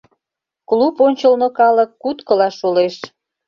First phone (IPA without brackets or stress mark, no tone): k